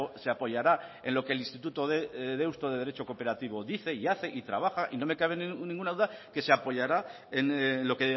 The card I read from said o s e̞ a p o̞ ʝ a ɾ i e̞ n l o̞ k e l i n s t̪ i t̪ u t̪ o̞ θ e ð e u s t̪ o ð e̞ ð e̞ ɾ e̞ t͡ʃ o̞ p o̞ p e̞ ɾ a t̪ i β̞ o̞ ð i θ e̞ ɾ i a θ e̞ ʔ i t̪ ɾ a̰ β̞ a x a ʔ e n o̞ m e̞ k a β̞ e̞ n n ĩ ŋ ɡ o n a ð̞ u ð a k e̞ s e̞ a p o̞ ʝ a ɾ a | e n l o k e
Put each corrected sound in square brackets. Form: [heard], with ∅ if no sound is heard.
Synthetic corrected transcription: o s e̞ a p o̞ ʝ a ɾ [a] e̞ n l o̞ k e l i n s t̪ i t̪ u t̪ o̞ [ð] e ð e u s t̪ o ð e̞ ð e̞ ɾ e̞ t͡ʃ o̞ [k] o̞ p e̞ ɾ a t̪ i β̞ o̞ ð i θ e̞ [∅] i a θ e̞ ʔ i t̪ ɾ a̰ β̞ a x a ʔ [i] n o̞ m e̞ k a β̞ e̞ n n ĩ ŋ ɡ [u] n a ð̞ u ð a k e̞ s e̞ a p o̞ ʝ a ɾ a | e n l o k e